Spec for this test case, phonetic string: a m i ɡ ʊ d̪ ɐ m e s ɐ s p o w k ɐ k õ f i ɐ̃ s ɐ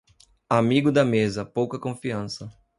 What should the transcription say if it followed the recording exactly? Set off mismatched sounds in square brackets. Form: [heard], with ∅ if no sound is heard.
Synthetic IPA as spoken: a m i ɡ ʊ d̪ ɐ m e [z] ɐ [∅] p o w k ɐ k õ f i ɐ̃ s ɐ